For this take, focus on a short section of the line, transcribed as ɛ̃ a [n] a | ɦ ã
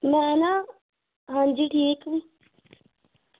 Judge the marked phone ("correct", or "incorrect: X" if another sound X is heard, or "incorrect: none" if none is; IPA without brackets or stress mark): correct